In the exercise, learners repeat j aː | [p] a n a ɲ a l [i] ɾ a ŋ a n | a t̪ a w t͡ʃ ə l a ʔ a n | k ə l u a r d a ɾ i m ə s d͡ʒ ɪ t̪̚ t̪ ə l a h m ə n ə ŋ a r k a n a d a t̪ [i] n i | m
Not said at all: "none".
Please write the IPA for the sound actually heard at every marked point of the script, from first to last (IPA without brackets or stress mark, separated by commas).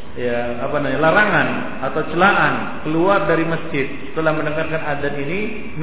p, a, i